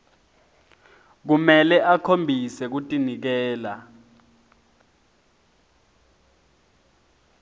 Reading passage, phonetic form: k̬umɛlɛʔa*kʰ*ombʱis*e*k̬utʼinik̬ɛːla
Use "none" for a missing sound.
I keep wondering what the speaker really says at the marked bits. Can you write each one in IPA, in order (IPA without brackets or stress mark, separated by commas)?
kʰ, ɛ